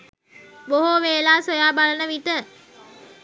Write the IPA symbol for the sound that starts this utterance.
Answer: b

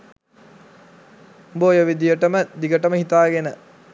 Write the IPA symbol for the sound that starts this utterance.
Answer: b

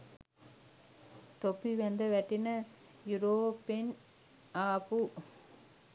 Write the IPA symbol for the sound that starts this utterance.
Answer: t̪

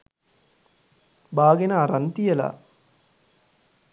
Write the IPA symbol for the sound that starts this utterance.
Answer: b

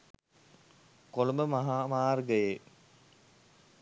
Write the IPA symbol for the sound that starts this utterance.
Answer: k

